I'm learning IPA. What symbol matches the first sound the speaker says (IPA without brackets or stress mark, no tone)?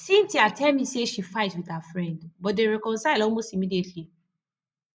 s